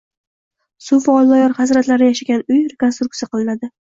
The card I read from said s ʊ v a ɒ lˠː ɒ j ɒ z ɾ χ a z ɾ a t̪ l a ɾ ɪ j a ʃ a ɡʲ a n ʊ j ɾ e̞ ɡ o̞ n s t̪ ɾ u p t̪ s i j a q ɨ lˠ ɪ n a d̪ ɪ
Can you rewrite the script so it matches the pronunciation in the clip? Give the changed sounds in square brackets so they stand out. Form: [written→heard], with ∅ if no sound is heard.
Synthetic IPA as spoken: s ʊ [v→f] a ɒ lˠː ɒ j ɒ [z→∅] ɾ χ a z ɾ a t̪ l a ɾ ɪ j a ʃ a ɡʲ a n ʊ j ɾ e̞ [ɡ→k] o̞ n s t̪ ɾ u [p→k] t̪ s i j a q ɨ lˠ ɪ n a d̪ ɪ